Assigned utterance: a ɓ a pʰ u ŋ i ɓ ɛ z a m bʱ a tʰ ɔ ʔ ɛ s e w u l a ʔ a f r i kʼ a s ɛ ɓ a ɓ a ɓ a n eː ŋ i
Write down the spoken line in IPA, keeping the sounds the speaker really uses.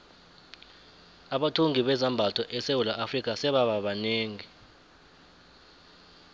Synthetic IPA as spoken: a ɓ a tʰ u ŋ i ɓ ɛ z a m bʱ a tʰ ɔ ʔ ɛ s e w u l a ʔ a f r i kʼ a s ɛ ɓ a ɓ a ɓ a n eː ŋ i